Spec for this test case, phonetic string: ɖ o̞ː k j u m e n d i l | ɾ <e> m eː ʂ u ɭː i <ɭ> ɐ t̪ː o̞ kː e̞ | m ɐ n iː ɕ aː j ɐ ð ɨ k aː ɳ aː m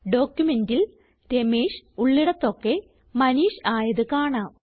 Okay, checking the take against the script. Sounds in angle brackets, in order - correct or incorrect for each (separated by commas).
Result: correct, incorrect